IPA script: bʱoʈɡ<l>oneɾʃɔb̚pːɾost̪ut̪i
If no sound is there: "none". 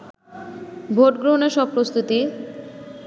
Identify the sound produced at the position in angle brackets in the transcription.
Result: ɾ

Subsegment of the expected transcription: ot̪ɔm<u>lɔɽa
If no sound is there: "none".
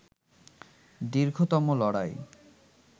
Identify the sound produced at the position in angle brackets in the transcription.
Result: o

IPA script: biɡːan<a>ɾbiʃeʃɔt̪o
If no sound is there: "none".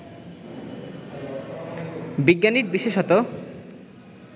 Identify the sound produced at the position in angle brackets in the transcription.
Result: i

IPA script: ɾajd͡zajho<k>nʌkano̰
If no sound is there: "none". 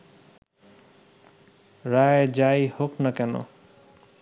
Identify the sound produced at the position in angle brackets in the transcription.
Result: k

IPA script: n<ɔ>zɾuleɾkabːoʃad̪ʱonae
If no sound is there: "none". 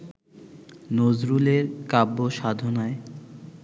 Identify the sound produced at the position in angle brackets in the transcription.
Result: o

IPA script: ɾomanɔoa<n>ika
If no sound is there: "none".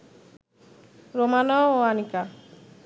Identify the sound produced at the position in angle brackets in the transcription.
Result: n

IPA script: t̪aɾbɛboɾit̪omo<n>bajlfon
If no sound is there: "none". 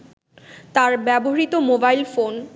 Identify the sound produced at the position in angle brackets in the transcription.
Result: none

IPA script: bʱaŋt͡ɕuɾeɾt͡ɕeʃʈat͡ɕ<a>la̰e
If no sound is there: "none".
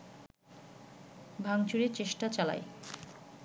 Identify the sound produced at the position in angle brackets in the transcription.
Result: a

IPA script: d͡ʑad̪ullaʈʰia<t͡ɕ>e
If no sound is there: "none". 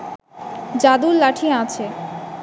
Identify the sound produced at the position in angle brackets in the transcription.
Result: t͡ɕʰ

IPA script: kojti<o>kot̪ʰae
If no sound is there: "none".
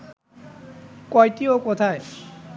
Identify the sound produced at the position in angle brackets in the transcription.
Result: o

